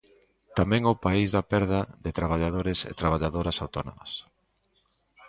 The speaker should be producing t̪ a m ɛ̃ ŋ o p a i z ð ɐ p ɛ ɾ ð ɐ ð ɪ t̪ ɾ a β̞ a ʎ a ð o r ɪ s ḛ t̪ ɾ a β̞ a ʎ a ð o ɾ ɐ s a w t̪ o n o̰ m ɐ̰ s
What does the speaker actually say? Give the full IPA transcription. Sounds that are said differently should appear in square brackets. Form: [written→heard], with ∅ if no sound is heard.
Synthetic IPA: t̪ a m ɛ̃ ŋ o p a i z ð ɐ p ɛ ɾ ð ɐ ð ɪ t̪ ɾ a β̞ a ʎ a ð o [r→ɾ] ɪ s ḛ t̪ ɾ a β̞ a ʎ a ð o ɾ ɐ s a w t̪ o n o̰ m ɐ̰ s